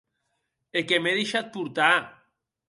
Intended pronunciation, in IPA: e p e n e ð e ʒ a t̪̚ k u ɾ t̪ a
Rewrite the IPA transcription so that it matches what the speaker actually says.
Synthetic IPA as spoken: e k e m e ð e ʃ a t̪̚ p u ɾ t̪ a